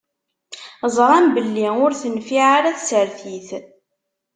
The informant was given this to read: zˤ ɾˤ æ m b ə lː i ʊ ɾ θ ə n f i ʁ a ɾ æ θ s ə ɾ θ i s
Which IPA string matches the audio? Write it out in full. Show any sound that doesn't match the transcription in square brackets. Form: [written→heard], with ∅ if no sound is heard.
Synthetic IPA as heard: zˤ ɾˤ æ m b ə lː i ʊ ɾ θ ə n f i [ʁ→ʕ] a ɾ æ θ s ə ɾ θ i [s→θ]